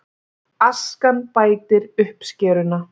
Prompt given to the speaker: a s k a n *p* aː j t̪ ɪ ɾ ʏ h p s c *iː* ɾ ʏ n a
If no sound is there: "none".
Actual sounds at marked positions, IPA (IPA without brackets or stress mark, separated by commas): p, ɛː